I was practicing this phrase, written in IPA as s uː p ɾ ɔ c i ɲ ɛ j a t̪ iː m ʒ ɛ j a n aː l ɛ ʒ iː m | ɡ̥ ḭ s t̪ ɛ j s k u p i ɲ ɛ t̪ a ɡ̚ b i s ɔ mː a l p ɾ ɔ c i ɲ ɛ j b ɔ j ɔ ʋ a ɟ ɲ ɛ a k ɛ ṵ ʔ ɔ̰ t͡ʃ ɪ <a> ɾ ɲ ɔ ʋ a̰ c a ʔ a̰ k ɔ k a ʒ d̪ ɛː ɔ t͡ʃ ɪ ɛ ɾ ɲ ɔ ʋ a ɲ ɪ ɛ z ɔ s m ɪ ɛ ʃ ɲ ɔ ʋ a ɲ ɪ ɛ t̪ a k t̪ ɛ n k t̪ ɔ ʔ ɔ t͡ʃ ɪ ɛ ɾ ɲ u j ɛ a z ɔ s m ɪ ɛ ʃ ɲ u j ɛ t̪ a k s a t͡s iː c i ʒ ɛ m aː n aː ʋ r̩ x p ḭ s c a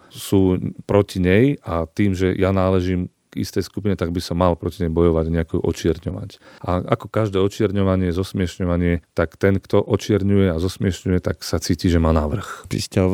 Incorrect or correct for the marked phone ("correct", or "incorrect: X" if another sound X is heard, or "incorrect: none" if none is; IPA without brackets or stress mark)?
incorrect: ɛ